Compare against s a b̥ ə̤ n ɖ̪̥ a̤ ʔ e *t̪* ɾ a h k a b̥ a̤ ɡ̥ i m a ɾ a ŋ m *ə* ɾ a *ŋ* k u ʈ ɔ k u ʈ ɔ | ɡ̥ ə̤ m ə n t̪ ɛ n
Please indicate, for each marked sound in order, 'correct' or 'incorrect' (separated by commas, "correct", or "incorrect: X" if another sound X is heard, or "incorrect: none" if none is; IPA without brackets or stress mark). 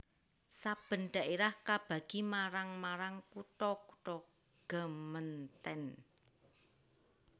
incorrect: none, incorrect: a, correct